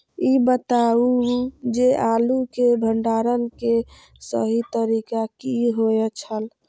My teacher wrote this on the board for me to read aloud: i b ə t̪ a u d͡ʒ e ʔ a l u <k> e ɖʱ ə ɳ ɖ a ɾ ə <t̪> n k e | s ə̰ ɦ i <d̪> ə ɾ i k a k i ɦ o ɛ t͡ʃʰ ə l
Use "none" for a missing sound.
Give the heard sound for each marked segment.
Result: k, none, t̪

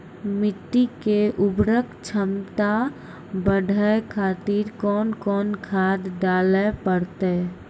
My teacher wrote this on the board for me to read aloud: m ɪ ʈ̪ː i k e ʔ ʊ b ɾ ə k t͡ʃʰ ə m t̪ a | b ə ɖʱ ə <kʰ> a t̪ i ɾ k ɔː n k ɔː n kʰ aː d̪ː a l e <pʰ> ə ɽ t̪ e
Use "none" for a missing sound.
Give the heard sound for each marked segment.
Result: kʰ, p

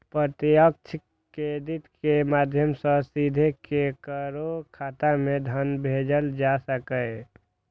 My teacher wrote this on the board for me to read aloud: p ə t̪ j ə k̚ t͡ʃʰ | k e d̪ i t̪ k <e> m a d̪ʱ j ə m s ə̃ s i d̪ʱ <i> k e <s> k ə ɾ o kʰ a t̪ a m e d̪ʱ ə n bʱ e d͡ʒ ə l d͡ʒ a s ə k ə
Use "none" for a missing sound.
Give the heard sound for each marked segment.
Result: e, e, none

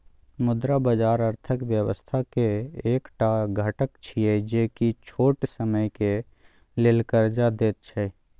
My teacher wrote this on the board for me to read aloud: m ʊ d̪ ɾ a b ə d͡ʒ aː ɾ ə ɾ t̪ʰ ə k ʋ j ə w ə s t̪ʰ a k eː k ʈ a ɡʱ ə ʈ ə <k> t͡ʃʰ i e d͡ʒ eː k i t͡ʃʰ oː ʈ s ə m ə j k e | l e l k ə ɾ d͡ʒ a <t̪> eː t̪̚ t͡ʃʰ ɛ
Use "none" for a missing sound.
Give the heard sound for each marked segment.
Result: k, d̪

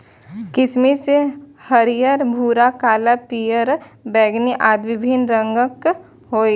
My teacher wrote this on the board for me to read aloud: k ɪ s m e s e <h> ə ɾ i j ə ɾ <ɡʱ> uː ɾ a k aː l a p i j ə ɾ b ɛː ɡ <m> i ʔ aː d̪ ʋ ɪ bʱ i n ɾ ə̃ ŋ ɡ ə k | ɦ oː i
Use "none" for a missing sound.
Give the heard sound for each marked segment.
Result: h, bʱ, n

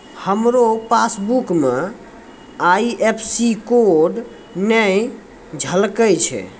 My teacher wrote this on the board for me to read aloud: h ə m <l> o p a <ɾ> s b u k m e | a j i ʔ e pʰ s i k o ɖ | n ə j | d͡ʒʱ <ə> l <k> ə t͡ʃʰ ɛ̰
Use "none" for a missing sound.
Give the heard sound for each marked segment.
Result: ɾ, none, ə, k

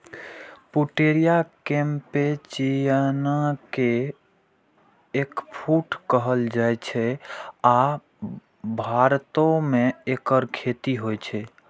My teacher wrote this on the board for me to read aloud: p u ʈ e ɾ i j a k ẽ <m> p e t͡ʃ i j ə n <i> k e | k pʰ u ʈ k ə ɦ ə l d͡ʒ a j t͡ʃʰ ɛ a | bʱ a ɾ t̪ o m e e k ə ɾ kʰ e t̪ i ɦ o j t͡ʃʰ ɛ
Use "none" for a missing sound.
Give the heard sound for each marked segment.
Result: m, a

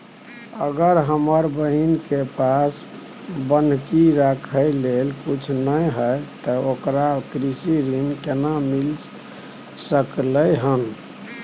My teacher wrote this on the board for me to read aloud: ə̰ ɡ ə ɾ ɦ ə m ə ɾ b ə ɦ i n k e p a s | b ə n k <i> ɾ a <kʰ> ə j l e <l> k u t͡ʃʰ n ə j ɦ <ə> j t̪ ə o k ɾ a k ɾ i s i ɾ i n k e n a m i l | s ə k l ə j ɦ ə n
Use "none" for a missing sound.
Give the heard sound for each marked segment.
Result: i, kʰ, l, ə

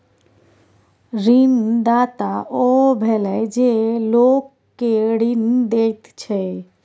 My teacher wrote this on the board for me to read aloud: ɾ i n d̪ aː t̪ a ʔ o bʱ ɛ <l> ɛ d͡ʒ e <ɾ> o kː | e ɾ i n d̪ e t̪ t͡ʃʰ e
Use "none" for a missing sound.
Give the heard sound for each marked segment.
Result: l, l

